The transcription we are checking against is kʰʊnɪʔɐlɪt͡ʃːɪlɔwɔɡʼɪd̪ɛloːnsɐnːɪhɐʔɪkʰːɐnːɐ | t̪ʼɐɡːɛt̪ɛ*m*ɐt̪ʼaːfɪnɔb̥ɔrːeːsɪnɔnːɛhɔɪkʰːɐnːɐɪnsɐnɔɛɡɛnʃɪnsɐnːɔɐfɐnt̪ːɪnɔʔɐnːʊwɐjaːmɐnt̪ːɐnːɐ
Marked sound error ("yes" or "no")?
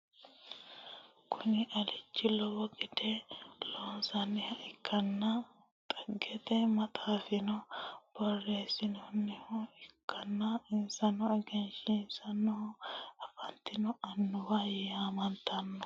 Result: no